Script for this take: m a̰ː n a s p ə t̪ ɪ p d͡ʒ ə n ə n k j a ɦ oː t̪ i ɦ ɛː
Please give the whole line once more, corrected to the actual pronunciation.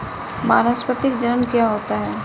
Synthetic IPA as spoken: m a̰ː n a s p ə t̪ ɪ k d͡ʒ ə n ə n k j a ɦ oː t̪ a ɦ ɛː